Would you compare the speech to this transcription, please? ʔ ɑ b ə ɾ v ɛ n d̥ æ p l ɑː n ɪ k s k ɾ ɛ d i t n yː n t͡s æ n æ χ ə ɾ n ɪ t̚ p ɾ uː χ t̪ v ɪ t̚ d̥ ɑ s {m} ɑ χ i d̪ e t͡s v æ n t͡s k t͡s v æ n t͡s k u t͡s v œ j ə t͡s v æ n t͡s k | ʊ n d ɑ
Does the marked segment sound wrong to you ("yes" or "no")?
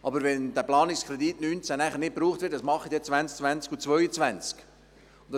no